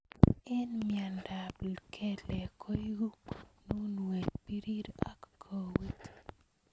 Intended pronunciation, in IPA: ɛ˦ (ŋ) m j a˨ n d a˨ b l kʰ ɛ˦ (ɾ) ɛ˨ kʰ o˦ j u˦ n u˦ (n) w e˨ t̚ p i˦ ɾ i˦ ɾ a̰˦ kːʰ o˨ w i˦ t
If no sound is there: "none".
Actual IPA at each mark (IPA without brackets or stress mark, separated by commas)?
n, l, n